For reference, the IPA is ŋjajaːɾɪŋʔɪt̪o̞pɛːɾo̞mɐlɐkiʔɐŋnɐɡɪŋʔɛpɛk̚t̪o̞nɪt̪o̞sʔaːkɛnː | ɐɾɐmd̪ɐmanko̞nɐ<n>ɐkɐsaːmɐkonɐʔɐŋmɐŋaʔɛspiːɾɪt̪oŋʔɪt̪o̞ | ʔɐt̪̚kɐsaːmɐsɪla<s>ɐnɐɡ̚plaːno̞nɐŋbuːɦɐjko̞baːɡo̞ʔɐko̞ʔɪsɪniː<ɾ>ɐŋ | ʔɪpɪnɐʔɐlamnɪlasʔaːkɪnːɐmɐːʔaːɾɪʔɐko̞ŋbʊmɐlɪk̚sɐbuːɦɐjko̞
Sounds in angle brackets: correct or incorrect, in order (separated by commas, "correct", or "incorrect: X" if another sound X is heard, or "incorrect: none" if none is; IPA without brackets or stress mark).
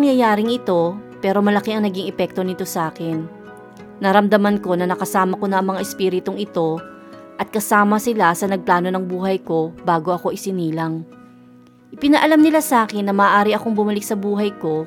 correct, correct, incorrect: l